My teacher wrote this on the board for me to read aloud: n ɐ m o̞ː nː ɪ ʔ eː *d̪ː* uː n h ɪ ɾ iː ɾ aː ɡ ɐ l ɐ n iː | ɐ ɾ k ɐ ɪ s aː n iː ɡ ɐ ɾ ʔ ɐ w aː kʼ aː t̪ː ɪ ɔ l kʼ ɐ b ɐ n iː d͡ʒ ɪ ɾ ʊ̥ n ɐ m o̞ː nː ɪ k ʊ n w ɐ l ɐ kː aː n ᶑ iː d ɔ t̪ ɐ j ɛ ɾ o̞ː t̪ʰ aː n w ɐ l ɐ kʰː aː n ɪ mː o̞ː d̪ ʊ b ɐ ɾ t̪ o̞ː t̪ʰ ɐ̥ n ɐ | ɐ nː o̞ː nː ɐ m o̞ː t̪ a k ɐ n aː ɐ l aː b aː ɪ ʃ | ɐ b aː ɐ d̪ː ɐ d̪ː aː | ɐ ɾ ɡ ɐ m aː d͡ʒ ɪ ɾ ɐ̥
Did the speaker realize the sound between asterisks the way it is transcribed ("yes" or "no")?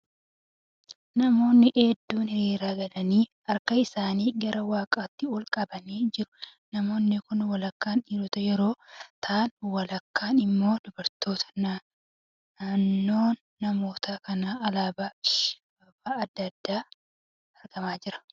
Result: yes